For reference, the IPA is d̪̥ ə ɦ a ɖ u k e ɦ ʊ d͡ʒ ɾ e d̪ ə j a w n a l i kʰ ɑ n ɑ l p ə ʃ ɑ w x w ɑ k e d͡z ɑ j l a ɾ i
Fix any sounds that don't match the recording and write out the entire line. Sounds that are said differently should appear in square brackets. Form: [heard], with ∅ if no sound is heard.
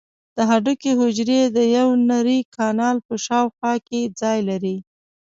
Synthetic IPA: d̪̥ ə ɦ a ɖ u k e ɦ ʊ d͡ʒ ɾ e d̪ ə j a w n a [ɾ] i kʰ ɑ n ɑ l p ə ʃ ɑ w x w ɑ k e d͡z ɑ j l a ɾ i